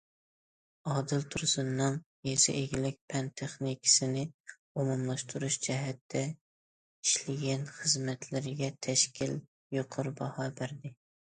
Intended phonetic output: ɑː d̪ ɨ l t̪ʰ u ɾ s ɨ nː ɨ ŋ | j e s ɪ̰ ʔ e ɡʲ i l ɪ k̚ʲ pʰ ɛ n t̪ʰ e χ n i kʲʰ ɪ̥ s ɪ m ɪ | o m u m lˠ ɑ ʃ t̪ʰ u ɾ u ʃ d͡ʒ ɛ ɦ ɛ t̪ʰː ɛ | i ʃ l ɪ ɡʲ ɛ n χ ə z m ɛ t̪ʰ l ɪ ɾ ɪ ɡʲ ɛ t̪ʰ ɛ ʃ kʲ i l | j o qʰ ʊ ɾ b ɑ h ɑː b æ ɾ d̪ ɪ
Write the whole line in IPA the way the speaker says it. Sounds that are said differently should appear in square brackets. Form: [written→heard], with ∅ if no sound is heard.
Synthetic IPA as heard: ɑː d̪ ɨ l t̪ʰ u ɾ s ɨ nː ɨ ŋ | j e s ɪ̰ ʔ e ɡʲ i l ɪ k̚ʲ pʰ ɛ n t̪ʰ e χ n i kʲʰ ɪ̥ s ɪ [m→n] ɪ | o m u m lˠ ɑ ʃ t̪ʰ u ɾ u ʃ d͡ʒ ɛ ɦ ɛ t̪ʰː ɛ | i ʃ l ɪ ɡʲ ɛ n χ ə z m ɛ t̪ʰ l ɪ ɾ ɪ ɡʲ ɛ t̪ʰ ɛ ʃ kʲ i l | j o qʰ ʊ ɾ b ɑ h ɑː b æ ɾ d̪ ɪ